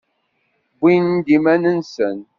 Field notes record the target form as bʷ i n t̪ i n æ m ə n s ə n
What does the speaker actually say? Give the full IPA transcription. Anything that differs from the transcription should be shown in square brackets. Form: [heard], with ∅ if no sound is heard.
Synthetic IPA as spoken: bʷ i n [d̪] i [m] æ [n] ə n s ə n